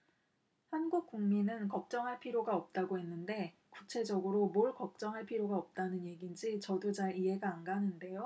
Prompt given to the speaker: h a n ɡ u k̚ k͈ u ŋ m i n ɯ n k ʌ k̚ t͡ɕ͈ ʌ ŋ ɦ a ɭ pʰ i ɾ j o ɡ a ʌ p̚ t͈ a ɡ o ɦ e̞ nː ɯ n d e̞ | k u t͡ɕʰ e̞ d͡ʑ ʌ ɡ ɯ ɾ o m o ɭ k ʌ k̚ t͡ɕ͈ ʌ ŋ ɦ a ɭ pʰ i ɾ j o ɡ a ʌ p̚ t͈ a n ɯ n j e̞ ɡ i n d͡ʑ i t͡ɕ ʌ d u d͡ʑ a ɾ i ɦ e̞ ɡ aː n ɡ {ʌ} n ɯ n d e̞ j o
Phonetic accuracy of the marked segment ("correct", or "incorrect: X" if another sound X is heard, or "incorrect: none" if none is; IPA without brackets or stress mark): incorrect: a